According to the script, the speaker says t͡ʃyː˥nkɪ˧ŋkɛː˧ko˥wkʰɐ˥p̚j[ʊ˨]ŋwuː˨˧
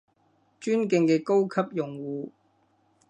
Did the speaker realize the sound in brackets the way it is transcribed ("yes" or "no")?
yes